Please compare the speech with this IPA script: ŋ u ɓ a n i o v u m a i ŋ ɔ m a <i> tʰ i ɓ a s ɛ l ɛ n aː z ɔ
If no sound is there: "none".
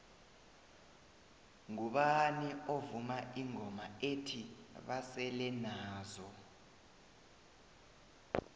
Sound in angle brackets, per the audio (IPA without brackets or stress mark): e